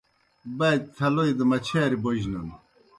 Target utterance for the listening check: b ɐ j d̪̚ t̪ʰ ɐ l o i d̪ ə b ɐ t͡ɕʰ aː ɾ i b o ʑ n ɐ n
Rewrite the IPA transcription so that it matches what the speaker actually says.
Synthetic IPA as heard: b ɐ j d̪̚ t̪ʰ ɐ l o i d̪ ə m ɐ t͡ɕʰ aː ɾ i b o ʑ n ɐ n